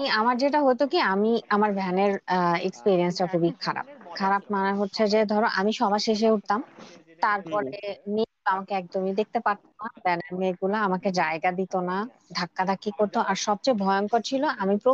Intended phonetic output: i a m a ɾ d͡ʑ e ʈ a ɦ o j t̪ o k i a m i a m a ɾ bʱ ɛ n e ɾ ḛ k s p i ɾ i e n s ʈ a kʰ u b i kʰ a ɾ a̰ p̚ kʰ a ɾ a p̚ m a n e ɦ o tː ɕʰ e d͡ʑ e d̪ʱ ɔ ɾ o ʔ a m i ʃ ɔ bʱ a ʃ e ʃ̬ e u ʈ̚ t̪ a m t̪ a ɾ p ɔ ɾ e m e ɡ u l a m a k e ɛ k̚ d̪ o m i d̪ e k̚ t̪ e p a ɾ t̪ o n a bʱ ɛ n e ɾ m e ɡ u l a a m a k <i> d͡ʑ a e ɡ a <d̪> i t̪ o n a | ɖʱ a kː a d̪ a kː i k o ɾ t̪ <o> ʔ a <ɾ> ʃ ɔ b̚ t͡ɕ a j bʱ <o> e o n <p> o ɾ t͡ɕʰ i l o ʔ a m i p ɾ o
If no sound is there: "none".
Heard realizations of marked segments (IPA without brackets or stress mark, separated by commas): e, d̪, o, ɾ, ɔ, k